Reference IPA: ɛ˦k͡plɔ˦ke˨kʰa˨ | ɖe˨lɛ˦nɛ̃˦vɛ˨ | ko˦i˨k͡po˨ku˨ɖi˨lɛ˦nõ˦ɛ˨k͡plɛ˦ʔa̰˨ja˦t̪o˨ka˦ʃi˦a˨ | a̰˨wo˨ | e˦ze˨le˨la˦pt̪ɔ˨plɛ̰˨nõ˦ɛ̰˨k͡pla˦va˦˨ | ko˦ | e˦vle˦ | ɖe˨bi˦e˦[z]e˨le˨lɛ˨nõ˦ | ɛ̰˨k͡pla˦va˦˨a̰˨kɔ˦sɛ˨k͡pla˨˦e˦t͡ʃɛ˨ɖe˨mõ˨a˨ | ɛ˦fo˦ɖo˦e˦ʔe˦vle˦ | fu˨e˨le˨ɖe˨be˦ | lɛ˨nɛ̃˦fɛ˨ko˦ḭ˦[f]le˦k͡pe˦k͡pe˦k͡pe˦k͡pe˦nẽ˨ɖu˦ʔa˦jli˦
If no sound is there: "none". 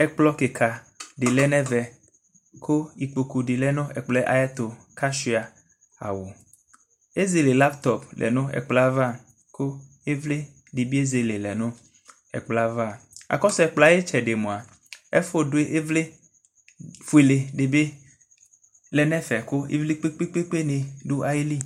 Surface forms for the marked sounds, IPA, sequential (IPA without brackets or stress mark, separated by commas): z, v